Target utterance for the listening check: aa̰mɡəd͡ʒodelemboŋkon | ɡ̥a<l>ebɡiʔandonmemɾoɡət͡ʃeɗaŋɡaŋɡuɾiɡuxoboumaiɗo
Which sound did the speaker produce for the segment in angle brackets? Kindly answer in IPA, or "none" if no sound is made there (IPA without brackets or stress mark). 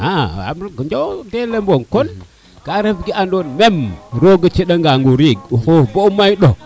ɾ